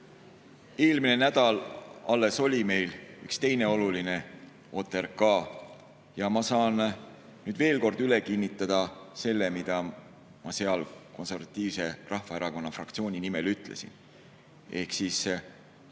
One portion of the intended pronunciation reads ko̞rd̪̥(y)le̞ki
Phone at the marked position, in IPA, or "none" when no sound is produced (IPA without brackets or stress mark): y